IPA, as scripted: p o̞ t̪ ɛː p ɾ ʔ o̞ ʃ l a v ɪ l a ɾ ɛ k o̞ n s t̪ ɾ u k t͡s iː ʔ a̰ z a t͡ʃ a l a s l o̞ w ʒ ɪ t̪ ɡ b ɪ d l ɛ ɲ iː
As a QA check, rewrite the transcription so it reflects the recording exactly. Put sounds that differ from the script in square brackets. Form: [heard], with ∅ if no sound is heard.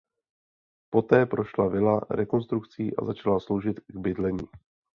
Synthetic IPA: p o̞ t̪ ɛː p ɾ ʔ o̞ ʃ l a v ɪ l a ɾ ɛ k o̞ n s t̪ ɾ u k t͡s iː ʔ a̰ z a t͡ʃ a l a s l o̞ w ʒ ɪ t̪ ɡ b ɪ d l ɛ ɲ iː